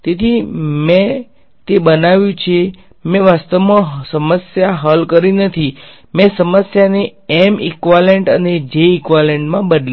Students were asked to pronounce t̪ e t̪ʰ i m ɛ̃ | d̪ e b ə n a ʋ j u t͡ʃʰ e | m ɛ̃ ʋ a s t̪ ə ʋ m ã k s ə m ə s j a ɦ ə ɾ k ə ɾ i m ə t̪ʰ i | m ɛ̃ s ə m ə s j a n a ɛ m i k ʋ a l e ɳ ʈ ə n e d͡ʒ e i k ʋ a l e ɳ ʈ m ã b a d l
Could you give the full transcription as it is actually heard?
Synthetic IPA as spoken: t̪ e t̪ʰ i m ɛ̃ | t̪ e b ə n a ʋ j ũ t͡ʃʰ e | m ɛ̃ ʋ a s t̪ ə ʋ m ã s ə m ə s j a ɦ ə l k ə ɾ i n ə t̪ʰ i | m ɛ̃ s ə m ə s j a n e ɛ m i k ʋ a l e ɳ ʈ ə n e d͡ʒ e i k ʋ a l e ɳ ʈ m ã b ə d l